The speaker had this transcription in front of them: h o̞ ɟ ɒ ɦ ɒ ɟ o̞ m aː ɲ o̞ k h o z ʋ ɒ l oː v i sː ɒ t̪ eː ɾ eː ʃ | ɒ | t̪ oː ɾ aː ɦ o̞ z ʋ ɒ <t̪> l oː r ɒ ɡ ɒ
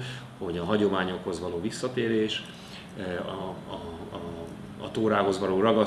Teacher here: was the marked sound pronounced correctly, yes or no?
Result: no